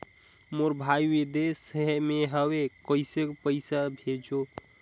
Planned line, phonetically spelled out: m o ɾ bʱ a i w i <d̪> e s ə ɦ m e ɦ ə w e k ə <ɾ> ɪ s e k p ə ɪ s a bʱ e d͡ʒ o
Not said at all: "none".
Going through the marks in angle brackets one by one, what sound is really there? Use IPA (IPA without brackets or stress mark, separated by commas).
d̪, none